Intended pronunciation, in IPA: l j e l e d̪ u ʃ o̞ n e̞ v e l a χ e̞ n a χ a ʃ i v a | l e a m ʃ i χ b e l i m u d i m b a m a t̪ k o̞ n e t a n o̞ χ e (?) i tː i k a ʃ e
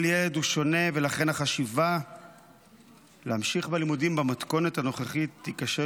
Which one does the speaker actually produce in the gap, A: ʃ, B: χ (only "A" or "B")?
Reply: B